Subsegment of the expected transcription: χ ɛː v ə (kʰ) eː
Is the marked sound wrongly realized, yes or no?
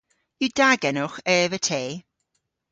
yes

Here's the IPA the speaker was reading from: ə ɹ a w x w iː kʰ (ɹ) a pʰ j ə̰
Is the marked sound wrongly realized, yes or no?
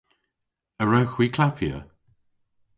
yes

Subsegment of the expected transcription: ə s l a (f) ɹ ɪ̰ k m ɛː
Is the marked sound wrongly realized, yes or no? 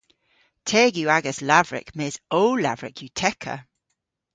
yes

